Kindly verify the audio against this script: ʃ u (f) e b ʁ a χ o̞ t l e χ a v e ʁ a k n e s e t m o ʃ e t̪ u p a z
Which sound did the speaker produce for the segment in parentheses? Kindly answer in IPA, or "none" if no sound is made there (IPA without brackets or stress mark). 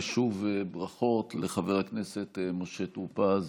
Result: v